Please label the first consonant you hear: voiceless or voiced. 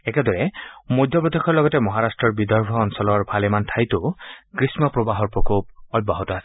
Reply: voiceless